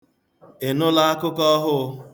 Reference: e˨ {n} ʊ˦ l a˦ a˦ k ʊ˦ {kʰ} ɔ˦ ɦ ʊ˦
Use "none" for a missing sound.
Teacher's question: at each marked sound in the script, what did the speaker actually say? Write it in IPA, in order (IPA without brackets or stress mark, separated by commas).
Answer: n, k